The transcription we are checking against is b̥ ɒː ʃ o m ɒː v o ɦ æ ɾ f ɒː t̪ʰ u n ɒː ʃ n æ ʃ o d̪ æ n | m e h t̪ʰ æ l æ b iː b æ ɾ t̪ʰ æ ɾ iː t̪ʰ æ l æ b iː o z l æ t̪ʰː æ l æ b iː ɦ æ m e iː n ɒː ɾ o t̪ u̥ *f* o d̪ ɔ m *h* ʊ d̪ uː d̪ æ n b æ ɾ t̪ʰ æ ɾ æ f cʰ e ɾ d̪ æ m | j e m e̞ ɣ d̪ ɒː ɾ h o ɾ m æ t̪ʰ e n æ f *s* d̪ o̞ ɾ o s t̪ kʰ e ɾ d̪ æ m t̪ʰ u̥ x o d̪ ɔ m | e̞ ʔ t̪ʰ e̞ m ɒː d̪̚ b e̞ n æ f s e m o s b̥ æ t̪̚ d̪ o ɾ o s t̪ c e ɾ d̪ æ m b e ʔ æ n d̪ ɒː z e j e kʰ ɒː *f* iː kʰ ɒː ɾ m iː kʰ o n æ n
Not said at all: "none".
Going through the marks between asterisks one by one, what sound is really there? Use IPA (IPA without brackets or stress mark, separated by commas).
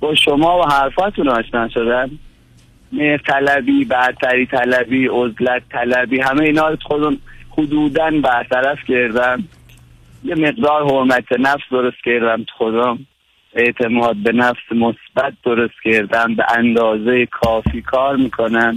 x, h, s, f